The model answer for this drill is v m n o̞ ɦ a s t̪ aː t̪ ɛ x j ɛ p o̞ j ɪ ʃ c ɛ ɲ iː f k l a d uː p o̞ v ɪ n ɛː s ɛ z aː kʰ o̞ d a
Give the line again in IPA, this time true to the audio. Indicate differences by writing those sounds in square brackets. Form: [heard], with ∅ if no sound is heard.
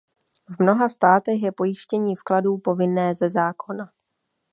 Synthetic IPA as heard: v m n o̞ ɦ a s t̪ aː t̪ ɛ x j ɛ p o̞ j ɪ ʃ c ɛ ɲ iː f k l a d uː p o̞ v ɪ n ɛː [z] ɛ z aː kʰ o̞ [n] a